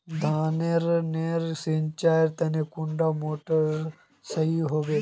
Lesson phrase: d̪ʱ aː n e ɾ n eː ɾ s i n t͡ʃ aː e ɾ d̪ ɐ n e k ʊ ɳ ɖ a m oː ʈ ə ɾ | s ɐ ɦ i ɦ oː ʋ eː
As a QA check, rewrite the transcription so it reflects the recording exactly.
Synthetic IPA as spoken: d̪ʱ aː n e ɾ n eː ɾ s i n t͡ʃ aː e ɾ t̪ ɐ n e k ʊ ɳ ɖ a m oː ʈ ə ɾ | s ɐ ɦ i ɦ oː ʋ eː